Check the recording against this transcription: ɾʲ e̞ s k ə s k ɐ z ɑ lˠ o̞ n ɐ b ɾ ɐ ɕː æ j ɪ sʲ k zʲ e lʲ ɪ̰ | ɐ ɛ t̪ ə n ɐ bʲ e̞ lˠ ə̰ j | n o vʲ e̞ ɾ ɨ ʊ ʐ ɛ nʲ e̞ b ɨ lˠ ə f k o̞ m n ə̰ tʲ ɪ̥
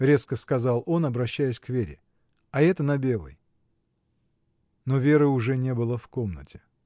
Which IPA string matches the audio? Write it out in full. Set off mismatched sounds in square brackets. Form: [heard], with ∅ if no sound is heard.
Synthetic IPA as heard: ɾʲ e̞ s k ə s k ɐ z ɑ lˠ o̞ n ɐ b ɾ ɐ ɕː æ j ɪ sʲ k [vʲ] e [ɾʲ] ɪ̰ | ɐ ɛ t̪ ə n ɐ bʲ e̞ lˠ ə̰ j | n o vʲ e̞ ɾ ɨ ʊ ʐ ɛ nʲ e̞ b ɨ lˠ ə f k o̞ m n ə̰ tʲ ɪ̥